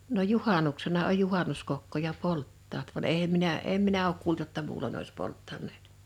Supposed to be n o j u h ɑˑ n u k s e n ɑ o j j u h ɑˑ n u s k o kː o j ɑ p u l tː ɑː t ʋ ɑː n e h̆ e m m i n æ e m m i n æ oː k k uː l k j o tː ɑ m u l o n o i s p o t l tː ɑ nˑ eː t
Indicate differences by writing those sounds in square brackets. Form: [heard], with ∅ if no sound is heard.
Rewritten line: n o j u h ɑˑ n u k s e n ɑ o j j u h ɑˑ n u s k o kː o j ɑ p [o] l tː ɑː t ʋ [ɑ] n e h̆ e m m i n æ e m m i n æ oː k k uː l [t] j o tː ɑ m [uː] l o n o i s p o [∅] l tː ɑ nˑ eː t